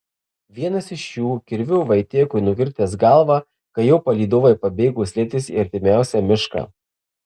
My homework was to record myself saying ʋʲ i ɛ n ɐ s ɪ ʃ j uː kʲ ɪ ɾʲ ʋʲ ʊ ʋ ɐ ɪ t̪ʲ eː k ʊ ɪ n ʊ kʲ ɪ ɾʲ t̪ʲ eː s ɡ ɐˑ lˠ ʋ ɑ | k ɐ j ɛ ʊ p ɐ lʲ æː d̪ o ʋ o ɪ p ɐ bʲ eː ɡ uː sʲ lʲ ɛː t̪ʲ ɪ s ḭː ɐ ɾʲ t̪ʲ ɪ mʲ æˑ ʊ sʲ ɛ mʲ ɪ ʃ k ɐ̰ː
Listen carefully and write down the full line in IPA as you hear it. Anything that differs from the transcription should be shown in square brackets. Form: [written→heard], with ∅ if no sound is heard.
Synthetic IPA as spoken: ʋʲ i ɛ n ɐ s ɪ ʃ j uː kʲ ɪ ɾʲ ʋʲ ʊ ʋ ɐ ɪ t̪ʲ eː k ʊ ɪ n ʊ kʲ ɪ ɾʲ t̪ʲ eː s ɡ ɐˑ lˠ ʋ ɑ | k ɐ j ɛ ʊ p ɐ lʲ [æː→iː] d̪ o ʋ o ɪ p ɐ bʲ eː ɡ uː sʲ lʲ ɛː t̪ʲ ɪ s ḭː ɐ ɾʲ t̪ʲ ɪ mʲ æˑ ʊ sʲ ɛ mʲ ɪ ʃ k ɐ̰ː